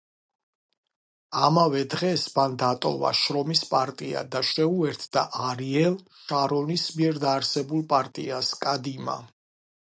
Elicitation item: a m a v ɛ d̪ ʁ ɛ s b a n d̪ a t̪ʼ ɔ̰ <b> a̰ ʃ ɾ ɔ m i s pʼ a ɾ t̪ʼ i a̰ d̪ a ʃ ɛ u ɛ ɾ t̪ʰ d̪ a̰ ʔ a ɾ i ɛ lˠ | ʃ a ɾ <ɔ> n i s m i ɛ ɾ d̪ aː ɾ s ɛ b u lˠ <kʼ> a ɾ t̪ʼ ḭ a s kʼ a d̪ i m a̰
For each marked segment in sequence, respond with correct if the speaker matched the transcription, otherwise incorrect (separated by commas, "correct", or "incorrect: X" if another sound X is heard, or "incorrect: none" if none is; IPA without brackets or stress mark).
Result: incorrect: v, correct, incorrect: pʼ